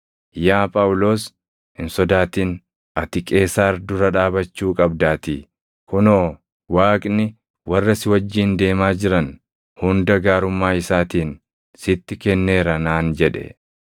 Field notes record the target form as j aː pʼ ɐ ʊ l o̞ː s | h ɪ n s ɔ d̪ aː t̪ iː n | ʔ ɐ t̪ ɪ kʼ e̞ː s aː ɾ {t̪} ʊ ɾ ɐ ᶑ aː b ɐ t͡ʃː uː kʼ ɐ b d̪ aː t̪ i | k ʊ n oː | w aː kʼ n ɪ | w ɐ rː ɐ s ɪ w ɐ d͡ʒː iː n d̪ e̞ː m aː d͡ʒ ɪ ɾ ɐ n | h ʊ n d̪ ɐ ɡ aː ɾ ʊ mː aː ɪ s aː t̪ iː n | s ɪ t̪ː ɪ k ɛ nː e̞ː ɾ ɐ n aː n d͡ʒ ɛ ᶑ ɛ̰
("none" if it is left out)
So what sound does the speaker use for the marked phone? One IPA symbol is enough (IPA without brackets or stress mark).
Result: d̪